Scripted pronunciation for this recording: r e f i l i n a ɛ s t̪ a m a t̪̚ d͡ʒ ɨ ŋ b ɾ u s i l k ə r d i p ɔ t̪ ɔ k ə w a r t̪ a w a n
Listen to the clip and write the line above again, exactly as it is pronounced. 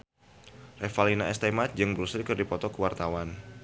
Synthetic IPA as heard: r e f a l i n a ɛ s t̪ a m a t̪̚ d͡ʒ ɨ ŋ b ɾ u s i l k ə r d i p ɔ t̪ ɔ k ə w a r t̪ a w a n